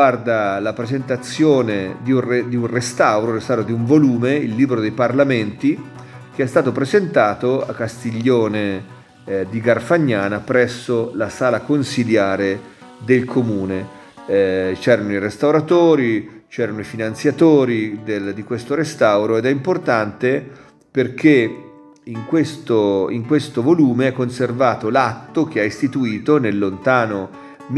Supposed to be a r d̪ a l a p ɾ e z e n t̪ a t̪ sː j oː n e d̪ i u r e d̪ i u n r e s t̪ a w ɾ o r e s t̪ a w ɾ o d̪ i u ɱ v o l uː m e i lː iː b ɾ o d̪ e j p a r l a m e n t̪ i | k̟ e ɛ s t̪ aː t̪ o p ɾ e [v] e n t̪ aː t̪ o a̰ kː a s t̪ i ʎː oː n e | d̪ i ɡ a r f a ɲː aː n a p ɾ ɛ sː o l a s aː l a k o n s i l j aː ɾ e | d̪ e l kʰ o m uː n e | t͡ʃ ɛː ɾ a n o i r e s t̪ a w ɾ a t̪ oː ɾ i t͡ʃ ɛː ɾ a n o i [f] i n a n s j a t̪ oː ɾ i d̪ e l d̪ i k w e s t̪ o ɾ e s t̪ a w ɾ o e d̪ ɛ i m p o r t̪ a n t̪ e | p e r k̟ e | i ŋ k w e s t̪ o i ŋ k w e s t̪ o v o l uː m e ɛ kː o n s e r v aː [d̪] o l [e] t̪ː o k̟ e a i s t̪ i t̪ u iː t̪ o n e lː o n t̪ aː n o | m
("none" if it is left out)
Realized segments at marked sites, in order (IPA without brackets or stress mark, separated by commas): z, f, t̪, a